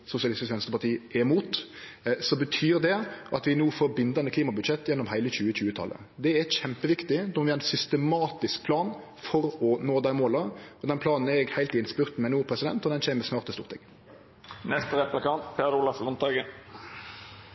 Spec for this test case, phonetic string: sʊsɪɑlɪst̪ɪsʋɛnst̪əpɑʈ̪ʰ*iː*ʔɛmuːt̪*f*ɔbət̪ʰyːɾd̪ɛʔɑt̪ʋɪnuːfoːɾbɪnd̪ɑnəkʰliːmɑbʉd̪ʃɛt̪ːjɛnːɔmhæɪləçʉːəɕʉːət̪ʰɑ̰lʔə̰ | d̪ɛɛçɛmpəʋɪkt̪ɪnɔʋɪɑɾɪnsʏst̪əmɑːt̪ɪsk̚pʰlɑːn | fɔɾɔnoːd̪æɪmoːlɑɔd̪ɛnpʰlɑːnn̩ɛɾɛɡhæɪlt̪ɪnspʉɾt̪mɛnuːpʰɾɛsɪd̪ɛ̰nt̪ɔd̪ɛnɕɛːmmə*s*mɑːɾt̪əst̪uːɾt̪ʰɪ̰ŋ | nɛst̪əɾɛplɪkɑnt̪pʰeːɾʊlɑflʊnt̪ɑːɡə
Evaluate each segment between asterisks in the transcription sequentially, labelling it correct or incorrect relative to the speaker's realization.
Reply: correct, incorrect, correct

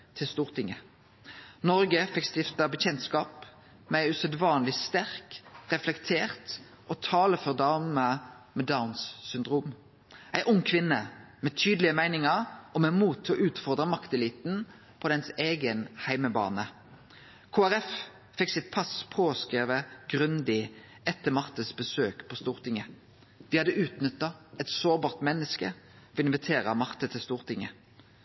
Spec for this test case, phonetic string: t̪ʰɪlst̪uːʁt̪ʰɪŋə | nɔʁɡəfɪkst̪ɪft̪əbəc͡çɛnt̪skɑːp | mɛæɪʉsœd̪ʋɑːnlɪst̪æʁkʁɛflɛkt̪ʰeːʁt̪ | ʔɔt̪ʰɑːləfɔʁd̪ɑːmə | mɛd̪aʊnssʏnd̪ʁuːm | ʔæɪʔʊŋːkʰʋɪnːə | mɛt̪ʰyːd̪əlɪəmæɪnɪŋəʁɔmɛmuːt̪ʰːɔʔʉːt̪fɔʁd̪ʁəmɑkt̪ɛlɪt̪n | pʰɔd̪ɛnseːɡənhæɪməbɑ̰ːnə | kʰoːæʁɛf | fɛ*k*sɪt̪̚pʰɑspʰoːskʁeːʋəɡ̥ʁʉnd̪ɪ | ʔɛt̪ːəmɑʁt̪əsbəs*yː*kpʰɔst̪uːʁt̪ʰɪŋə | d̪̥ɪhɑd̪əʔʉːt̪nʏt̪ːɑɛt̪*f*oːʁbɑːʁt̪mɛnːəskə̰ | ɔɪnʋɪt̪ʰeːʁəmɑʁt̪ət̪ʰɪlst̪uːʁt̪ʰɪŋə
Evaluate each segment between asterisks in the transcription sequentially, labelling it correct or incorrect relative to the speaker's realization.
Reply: correct, incorrect, incorrect

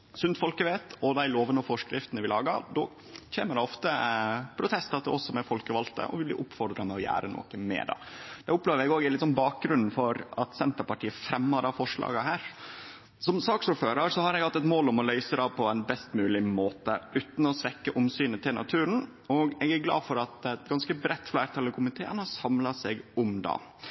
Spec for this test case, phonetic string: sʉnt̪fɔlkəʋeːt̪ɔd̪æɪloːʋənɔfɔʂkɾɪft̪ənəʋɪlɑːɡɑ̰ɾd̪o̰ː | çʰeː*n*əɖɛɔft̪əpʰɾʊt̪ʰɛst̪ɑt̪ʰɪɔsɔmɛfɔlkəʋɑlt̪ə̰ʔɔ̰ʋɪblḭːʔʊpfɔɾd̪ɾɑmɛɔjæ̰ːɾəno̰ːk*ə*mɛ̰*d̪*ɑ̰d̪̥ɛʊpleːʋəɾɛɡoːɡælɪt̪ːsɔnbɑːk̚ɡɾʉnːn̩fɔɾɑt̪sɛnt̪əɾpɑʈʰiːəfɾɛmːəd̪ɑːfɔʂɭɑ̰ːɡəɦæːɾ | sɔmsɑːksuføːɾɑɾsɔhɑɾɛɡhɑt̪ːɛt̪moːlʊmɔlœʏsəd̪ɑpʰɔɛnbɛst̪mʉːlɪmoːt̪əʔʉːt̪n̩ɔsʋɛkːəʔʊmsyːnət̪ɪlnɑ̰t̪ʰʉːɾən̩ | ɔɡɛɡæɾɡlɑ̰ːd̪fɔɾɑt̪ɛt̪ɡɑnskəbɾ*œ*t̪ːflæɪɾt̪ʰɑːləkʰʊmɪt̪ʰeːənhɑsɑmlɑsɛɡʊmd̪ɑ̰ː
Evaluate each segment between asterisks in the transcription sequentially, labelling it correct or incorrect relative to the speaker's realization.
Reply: incorrect, correct, correct, incorrect

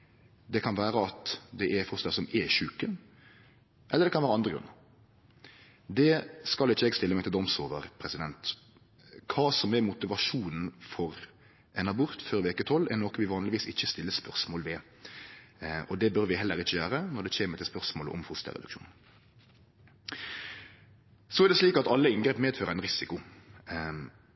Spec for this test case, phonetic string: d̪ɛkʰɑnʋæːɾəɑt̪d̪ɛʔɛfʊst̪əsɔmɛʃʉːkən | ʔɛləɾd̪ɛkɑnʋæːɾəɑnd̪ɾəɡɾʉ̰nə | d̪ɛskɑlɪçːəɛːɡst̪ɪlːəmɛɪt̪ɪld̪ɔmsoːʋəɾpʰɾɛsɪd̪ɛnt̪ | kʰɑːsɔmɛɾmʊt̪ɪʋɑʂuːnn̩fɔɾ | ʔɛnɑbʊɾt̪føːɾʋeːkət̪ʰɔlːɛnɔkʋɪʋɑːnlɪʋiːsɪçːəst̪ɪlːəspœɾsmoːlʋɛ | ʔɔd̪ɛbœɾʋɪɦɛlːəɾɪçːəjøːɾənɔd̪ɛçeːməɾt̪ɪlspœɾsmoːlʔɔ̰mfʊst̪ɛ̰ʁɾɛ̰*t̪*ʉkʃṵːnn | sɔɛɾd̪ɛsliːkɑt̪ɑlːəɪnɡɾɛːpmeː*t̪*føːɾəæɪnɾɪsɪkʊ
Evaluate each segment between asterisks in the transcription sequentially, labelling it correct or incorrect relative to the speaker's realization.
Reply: incorrect, incorrect

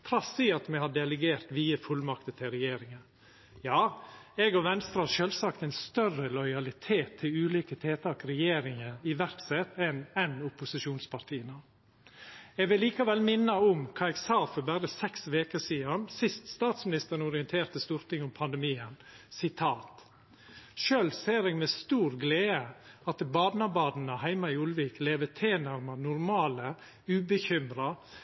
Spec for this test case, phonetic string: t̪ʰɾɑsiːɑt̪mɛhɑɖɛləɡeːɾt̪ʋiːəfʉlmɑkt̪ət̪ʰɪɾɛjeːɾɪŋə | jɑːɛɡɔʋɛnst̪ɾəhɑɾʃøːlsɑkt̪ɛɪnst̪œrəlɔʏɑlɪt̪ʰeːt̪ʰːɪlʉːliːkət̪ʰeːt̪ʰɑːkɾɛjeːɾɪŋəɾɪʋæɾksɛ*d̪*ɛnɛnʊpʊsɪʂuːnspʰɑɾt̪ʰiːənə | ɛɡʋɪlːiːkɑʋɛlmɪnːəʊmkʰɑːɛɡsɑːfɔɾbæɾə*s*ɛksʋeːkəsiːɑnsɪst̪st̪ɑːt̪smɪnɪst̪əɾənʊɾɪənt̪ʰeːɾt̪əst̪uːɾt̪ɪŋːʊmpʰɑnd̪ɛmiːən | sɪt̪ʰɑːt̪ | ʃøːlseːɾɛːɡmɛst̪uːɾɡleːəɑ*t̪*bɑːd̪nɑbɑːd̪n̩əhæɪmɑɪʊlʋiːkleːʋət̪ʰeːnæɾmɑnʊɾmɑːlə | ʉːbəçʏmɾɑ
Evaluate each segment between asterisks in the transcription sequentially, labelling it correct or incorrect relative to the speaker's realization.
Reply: incorrect, correct, correct

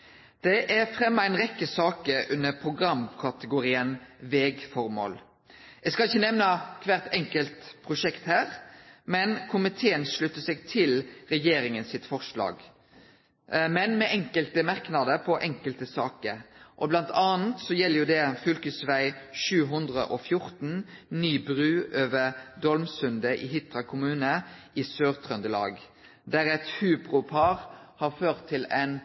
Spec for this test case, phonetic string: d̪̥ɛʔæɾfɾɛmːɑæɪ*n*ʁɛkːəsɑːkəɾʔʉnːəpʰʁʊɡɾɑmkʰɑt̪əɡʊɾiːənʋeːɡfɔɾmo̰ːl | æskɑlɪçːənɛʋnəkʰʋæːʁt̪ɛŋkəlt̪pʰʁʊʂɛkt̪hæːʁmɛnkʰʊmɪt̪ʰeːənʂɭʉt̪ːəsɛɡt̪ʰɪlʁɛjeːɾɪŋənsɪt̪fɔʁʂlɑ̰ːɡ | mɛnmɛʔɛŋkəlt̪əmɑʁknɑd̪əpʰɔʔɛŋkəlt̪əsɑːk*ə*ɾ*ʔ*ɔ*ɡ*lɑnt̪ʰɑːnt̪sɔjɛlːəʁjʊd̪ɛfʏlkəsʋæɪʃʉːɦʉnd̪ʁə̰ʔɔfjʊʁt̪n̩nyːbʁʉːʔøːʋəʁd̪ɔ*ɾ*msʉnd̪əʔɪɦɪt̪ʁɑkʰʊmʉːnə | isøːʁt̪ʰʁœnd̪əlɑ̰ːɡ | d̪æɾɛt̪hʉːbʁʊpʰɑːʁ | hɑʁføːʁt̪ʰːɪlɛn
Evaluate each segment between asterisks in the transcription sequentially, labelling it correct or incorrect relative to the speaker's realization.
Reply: correct, correct, correct, incorrect, incorrect

